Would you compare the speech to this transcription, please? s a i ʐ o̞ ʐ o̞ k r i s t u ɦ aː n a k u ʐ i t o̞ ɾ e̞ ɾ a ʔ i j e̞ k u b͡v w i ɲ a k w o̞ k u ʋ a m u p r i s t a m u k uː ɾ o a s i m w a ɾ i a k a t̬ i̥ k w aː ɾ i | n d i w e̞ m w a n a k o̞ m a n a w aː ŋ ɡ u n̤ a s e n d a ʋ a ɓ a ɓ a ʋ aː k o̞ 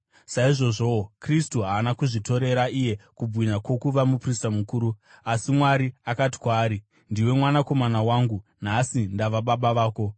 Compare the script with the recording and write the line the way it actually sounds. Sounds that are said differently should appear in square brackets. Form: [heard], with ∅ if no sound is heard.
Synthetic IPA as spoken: s a i ʐ o̞ ʐ o̞ k r i s t u ɦ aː n a k u ʐ i t o̞ ɾ e̞ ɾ a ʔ i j e̞ k u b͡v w i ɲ a k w o̞ k u ʋ a m u p r i s t a m u k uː ɾ [u] a s i m w a ɾ i a k a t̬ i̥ k w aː ɾ i | n d i w e̞ m w a n a k o̞ m a n a w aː ŋ ɡ u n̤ a s [i] n d a ʋ a ɓ a ɓ a ʋ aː k o̞